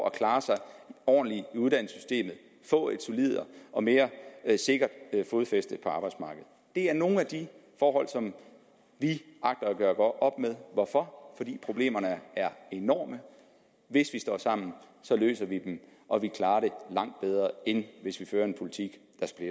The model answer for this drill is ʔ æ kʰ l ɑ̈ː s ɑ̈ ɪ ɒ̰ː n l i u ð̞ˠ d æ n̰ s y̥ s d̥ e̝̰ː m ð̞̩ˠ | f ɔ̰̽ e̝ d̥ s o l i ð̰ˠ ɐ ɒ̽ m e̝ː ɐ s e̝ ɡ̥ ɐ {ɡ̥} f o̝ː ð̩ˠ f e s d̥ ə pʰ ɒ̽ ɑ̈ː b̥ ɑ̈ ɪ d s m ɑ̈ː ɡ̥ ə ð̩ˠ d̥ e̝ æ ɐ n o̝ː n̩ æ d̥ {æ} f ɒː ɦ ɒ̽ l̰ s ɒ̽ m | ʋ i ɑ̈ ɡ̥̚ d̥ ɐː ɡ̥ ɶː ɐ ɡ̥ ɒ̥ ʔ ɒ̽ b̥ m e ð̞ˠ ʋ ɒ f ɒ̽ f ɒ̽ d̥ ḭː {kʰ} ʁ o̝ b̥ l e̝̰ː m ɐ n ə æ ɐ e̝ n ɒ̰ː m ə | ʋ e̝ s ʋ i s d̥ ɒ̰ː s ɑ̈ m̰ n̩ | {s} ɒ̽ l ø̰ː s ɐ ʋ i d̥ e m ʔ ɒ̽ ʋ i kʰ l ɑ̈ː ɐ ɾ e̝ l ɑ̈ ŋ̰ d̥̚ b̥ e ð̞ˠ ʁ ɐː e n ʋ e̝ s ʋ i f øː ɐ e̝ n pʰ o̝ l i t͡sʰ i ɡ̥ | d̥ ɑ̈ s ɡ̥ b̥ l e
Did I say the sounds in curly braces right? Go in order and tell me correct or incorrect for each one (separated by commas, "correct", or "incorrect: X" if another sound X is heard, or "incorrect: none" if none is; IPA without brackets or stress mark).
incorrect: d̥, incorrect: i, incorrect: pʰ, correct